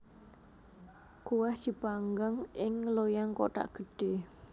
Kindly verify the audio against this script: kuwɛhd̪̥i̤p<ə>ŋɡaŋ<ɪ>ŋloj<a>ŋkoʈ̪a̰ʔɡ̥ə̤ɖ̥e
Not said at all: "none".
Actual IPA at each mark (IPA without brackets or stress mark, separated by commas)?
a, ɪ, a